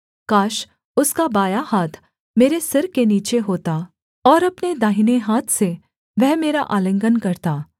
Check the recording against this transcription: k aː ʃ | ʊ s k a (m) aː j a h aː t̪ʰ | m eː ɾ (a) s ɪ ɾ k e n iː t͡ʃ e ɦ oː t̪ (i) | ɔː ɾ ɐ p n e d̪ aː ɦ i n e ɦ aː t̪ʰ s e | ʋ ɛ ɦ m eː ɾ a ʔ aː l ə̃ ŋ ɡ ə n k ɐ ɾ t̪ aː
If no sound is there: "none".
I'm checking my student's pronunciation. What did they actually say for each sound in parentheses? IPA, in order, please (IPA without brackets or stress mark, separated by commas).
b, e, a